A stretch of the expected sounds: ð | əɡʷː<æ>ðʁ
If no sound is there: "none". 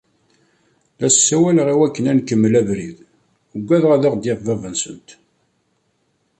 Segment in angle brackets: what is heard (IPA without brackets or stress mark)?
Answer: æ